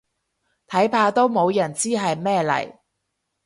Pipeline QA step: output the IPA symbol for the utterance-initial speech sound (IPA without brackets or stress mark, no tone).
t̪ʰ